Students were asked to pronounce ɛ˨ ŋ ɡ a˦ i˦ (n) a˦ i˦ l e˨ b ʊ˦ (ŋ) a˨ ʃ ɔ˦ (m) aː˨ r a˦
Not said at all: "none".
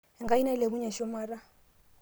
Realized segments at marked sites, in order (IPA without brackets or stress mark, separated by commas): n, ɲ, m